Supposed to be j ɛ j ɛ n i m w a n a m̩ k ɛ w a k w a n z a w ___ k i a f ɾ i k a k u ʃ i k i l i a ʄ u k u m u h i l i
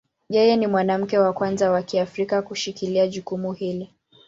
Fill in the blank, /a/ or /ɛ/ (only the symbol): a